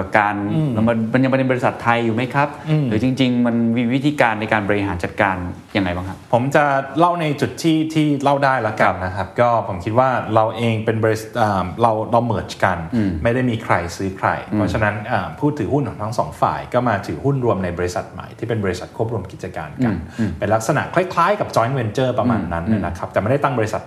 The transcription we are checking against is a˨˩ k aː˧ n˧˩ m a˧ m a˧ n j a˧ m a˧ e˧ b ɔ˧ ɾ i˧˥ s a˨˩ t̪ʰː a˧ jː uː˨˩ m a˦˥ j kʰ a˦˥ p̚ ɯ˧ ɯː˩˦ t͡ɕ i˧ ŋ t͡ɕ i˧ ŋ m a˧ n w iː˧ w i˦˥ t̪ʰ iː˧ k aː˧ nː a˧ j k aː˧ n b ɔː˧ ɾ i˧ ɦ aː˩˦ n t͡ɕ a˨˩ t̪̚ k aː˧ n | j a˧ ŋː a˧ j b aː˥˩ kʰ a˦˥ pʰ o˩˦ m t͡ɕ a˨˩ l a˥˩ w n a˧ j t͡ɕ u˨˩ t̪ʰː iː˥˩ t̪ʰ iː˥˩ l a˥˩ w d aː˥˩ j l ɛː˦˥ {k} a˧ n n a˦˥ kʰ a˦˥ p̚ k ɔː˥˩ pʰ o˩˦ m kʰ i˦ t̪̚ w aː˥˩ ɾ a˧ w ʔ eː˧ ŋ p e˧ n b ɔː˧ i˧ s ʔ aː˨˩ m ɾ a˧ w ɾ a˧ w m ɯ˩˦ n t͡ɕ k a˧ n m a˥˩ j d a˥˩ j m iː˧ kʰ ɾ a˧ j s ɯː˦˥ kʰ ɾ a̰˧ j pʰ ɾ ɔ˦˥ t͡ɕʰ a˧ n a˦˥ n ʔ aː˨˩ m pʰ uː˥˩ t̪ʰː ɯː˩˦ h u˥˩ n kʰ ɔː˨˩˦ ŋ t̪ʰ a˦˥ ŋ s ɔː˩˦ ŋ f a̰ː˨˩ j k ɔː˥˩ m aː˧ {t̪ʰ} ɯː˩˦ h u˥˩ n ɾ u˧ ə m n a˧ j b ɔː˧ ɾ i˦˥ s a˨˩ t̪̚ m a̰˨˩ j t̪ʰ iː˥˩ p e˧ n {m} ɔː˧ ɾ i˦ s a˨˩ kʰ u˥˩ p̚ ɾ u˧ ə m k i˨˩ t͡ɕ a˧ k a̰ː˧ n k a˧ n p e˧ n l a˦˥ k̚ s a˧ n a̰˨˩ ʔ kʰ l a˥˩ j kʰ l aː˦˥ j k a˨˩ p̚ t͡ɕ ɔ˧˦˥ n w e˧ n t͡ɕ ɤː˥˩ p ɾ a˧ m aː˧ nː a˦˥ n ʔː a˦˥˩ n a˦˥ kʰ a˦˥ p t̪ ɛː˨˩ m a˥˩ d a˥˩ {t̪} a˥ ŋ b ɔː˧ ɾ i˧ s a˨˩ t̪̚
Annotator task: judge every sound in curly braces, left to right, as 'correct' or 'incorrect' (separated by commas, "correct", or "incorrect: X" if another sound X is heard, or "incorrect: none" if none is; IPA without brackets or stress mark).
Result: correct, correct, incorrect: b, correct